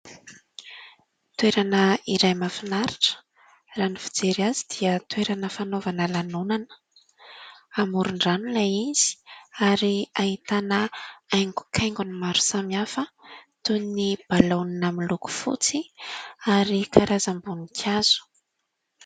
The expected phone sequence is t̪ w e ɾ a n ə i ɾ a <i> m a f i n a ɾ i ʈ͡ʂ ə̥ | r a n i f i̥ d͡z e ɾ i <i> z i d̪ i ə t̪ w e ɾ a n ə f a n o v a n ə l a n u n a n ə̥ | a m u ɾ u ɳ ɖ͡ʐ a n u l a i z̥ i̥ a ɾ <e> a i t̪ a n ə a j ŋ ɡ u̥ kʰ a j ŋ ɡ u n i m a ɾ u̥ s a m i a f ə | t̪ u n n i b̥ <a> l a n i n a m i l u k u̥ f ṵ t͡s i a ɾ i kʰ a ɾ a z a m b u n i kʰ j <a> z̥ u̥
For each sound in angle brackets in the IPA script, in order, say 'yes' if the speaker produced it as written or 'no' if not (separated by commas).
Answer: no, no, no, yes, yes